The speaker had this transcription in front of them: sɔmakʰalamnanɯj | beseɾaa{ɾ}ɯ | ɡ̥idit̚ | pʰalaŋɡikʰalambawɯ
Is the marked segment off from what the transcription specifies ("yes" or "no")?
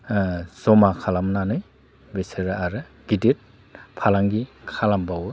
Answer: no